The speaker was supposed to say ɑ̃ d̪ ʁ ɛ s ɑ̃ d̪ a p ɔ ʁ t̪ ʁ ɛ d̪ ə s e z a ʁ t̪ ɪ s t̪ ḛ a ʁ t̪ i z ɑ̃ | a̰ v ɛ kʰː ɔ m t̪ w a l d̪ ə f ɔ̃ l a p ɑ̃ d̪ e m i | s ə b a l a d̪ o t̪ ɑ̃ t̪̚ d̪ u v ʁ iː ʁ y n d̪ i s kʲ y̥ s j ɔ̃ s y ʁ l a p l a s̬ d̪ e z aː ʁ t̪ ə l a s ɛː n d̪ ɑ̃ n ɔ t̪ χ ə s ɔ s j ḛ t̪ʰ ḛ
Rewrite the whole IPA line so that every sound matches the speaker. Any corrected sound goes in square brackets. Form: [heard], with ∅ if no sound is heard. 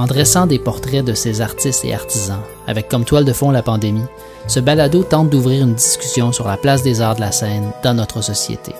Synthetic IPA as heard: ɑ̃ d̪ ʁ ɛ s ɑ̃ d̪ [e] p ɔ ʁ t̪ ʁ ɛ d̪ ə s e z a ʁ t̪ ɪ s t̪ ḛ a ʁ t̪ i z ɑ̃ | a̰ v ɛ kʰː ɔ m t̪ w a l d̪ ə f ɔ̃ l a p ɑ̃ d̪ e m i | s ə b a l a d̪ o t̪ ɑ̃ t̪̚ d̪ u v ʁ iː ʁ y n d̪ i s kʲ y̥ s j ɔ̃ s y ʁ l a p l a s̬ d̪ e z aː ʁ [d̪] ə l a s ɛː n d̪ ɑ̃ n ɔ t̪ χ ə s ɔ s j ḛ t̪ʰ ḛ